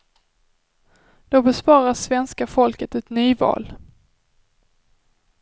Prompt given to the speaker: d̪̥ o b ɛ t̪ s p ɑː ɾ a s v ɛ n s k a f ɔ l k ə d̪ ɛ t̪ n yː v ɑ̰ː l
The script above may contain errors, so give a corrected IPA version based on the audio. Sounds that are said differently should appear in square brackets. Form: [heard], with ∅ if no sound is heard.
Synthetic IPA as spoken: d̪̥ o b ɛ [∅] s p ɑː ɾ a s v ɛ n s k a f ɔ l k ə [t̪] ɛ t̪ n yː v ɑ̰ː l